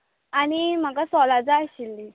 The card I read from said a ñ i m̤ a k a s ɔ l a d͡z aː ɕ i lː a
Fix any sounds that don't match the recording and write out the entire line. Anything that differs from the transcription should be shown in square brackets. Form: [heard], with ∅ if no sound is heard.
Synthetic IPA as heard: a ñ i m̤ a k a s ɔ l a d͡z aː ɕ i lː [i]